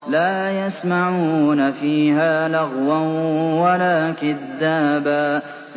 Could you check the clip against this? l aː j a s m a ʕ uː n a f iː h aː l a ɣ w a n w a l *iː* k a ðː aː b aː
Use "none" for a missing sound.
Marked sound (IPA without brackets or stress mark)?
aː